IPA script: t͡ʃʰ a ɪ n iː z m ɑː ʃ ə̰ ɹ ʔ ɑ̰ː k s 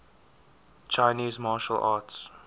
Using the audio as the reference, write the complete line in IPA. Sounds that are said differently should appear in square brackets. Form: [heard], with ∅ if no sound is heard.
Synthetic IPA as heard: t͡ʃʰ a ɪ n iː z m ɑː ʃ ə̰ [l] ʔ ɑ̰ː [t] s